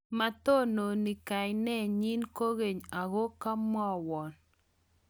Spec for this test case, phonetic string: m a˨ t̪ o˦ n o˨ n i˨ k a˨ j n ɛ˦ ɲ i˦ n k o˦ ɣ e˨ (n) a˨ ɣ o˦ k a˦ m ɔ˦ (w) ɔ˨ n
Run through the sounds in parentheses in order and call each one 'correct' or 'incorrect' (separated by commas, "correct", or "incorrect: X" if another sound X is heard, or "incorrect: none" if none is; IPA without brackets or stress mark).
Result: incorrect: ɲ, correct